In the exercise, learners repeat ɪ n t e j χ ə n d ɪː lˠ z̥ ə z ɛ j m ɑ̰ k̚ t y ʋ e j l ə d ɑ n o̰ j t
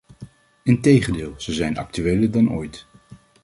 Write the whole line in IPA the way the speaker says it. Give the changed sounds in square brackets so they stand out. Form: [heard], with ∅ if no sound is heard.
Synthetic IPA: ɪ n t e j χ ə n d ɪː lˠ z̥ ə z ɛ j [n] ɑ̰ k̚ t y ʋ e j l ə d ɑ n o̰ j t